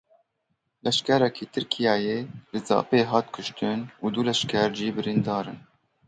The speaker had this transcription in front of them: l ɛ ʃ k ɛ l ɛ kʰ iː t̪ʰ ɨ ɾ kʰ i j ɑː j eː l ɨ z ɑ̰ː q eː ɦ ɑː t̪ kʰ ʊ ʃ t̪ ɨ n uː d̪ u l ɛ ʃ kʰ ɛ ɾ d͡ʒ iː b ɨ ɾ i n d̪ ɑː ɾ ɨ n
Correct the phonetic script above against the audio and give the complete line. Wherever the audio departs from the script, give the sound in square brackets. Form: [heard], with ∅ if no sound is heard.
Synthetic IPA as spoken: l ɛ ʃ k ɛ [ɾ] ɛ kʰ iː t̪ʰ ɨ ɾ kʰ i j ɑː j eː l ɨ z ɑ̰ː [p] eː ɦ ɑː t̪ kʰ ʊ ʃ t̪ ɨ n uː d̪ u l ɛ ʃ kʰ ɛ ɾ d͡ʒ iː b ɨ ɾ i n d̪ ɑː ɾ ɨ n